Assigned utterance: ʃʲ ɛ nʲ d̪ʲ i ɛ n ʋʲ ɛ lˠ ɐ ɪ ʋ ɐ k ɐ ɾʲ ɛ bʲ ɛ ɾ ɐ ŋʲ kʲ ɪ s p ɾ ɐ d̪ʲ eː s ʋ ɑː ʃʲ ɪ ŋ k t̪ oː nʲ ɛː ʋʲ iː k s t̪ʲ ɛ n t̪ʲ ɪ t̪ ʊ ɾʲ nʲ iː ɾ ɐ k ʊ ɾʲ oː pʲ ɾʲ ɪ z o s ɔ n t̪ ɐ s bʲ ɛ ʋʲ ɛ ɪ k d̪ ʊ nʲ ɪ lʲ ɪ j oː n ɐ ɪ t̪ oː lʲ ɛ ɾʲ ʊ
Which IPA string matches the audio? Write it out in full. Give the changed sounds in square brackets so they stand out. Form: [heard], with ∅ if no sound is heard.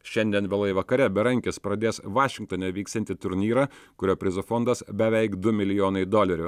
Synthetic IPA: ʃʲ ɛ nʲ d̪ʲ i ɛ n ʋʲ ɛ lˠ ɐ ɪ ʋ ɐ k ɐ ɾʲ ɛ bʲ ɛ ɾ ɐ ŋʲ kʲ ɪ s p ɾ ɐ d̪ʲ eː s ʋ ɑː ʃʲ ɪ ŋ k t̪ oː nʲ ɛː ʋʲ iː k s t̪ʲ ɛ n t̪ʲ ɪ t̪ ʊ ɾʲ nʲ iː ɾ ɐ k ʊ ɾʲ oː pʲ ɾʲ ɪ z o [f] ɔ n [d̪] ɐ s bʲ ɛ ʋʲ ɛ ɪ k d̪ ʊ [mʲ] ɪ lʲ ɪ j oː n ɐ ɪ [d̪] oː lʲ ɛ ɾʲ ʊ